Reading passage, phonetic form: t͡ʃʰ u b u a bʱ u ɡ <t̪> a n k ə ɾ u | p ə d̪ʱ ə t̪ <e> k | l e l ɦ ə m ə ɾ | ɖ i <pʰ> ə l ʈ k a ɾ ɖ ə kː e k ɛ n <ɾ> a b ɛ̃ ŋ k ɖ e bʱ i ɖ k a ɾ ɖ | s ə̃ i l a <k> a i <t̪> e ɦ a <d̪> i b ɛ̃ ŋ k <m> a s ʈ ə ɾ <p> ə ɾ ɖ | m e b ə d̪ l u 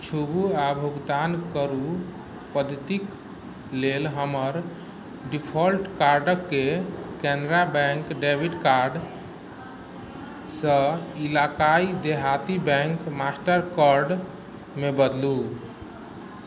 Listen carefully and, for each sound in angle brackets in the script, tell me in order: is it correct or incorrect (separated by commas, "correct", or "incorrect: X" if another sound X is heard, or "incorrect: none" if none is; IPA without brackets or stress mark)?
incorrect: d̪, incorrect: i, correct, correct, correct, incorrect: d̪, incorrect: t̪, correct, incorrect: k